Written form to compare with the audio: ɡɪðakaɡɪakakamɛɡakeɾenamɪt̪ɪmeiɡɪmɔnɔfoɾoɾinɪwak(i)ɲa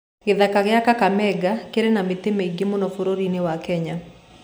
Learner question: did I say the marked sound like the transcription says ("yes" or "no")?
no